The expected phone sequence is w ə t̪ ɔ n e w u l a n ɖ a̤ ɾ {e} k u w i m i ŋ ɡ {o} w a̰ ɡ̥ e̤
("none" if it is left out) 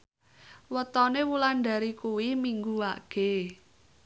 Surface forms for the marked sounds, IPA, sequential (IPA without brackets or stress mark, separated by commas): i, u